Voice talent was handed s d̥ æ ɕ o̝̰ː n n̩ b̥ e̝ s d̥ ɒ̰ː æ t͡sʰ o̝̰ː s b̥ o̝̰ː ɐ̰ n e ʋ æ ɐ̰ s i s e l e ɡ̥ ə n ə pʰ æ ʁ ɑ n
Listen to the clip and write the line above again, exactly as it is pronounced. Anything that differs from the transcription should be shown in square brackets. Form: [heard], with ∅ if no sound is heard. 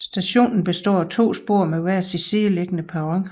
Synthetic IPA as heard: s d̥ æ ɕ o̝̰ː n n̩ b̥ e̝ s d̥ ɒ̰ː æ t͡sʰ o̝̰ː s b̥ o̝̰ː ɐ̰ [m] e ʋ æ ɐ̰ s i s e l e ɡ̥ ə n ə pʰ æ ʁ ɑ [ŋ]

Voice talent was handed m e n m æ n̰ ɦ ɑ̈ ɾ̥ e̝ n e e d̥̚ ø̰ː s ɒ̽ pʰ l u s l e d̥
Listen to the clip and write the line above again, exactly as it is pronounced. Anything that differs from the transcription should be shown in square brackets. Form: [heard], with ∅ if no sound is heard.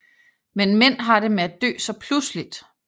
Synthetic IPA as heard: m e n m [e] n̰ ɦ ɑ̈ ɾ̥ e̝ [m] e [æ] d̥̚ ø̰ː s ɒ̽ pʰ l u s l [i] d̥

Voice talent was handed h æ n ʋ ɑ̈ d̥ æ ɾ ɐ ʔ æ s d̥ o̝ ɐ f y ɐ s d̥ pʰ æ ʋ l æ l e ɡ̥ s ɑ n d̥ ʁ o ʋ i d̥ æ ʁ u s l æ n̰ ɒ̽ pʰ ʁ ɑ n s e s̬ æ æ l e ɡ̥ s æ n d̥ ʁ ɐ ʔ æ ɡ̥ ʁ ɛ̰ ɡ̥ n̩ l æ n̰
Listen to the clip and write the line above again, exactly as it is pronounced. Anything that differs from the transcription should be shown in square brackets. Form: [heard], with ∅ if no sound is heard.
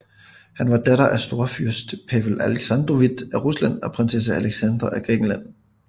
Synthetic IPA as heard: h æ n ʋ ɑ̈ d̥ æ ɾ ɐ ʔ æ s d̥ o̝ ɐ f y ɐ s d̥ pʰ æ ʋ l æ l e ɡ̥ s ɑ n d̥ ʁ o ʋ i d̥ æ ʁ u s l æ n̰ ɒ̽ pʰ ʁ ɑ n s e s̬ æ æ l e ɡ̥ s æ n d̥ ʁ ɐ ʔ æ ɡ̥ ʁ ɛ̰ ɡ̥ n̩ l æ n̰

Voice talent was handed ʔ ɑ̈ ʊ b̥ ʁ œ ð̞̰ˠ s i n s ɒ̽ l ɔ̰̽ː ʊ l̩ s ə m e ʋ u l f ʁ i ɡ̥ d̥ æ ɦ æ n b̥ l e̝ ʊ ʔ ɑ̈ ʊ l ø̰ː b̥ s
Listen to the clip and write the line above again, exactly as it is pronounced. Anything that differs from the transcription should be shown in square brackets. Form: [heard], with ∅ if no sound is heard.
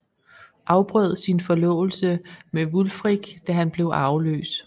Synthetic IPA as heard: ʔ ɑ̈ ʊ b̥ ʁ œ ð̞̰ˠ s i n [f] ɒ̽ l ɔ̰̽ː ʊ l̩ s ə m e ʋ u l f ʁ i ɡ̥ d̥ æ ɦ æ n b̥ l e̝ ʊ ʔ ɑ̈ ʊ l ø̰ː [∅] s

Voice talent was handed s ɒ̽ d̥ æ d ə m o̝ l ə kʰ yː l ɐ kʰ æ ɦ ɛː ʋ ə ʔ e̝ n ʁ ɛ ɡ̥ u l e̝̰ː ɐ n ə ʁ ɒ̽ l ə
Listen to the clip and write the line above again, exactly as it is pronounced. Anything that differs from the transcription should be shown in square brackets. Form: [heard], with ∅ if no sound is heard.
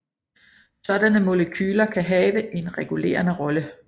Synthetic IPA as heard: s ɒ̽ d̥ æ [n] ə m o̝ l ə kʰ yː l ɐ kʰ æ ɦ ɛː ʋ ə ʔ e̝ n ʁ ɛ ɡ̥ u l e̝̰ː ɐ n ə ʁ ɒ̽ l ə

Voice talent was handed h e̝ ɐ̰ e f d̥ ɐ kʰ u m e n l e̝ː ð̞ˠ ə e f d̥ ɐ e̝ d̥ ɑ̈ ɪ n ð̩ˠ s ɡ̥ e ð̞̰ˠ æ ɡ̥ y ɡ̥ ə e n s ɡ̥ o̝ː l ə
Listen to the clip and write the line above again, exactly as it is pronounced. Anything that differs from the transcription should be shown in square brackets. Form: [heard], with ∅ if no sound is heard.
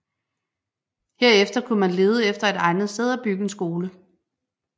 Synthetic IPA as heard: h e̝ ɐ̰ e f d̥ ɐ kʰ u m [æ] n l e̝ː ð̞ˠ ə e f d̥ ɐ e̝ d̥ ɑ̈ ɪ n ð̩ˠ s [d̥] e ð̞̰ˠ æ [b̥] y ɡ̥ ə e n s ɡ̥ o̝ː l ə

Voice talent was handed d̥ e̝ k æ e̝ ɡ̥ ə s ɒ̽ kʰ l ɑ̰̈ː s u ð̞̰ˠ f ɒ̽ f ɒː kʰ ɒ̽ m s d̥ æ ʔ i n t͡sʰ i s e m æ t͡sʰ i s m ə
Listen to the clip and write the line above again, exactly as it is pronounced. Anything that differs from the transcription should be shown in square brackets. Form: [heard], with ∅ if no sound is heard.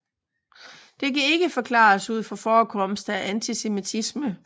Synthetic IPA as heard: d̥ e̝ k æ e̝ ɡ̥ ə [f] ɒ̽ kʰ l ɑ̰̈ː s u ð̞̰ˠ f ɒ̽ f ɒː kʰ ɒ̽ m s d̥ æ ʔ [æ] n t͡sʰ i s e m [i] t͡sʰ i s m ə

